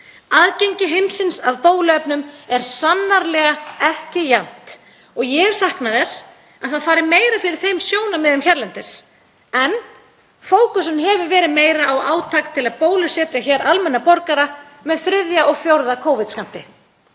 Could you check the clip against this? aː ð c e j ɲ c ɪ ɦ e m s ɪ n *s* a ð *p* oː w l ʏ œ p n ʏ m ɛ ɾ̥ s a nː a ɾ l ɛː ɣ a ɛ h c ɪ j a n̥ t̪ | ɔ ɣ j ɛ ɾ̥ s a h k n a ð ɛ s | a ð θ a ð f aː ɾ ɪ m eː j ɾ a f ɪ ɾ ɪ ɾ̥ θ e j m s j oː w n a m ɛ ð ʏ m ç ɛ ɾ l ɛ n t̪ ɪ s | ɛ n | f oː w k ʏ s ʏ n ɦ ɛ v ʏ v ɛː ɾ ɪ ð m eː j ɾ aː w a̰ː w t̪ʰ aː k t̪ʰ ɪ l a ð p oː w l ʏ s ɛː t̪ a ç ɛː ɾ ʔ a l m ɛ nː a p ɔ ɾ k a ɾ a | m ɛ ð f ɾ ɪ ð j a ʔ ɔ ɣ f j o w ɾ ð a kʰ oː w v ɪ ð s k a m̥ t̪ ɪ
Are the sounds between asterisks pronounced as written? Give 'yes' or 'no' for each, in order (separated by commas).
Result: yes, yes